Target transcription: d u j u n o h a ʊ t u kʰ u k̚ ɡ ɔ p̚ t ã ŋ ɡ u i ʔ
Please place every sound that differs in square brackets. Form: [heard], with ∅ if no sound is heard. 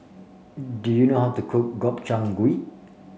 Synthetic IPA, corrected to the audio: d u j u n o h a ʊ t u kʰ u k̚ ɡ ɔ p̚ [t͡ʃ] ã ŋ ɡ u i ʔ